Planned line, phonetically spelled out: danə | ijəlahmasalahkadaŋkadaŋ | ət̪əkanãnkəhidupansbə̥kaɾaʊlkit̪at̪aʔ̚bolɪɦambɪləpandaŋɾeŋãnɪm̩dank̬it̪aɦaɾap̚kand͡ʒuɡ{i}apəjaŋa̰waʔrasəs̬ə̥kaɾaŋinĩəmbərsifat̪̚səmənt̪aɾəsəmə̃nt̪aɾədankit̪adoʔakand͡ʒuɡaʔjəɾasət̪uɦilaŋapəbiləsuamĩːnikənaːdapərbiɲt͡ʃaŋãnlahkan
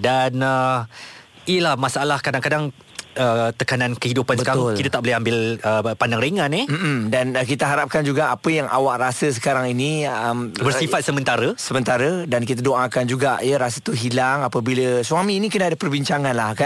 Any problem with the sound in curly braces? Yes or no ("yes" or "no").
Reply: yes